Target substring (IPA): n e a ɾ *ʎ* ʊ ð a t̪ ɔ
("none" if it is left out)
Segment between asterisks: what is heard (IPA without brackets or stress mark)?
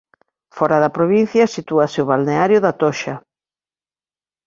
j